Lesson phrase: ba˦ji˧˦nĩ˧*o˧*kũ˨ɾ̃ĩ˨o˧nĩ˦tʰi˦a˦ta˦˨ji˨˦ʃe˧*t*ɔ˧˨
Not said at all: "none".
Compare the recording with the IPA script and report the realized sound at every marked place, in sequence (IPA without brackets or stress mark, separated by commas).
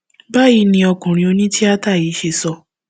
ɔ˧, s